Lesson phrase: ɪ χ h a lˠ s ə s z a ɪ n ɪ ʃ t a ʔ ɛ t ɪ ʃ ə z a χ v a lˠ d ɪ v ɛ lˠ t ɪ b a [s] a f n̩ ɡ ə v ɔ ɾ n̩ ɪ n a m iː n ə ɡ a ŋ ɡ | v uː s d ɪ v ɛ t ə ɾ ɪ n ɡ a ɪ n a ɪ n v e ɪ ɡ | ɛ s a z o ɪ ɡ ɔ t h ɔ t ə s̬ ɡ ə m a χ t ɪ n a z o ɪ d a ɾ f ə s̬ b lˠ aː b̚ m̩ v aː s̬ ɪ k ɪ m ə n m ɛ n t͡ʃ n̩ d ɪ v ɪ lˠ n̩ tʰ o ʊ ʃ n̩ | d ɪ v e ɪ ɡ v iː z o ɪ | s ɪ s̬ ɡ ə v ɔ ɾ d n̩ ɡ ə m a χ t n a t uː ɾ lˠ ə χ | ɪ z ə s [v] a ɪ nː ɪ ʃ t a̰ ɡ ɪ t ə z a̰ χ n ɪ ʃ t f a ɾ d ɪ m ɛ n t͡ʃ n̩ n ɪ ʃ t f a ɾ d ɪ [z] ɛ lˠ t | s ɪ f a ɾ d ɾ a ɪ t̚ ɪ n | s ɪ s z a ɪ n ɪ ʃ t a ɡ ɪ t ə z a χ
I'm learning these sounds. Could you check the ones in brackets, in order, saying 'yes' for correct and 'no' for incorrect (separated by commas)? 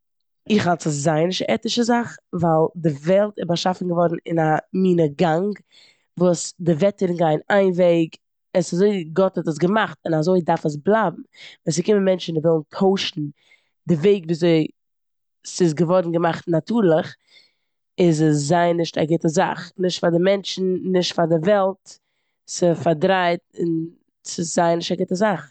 no, no, no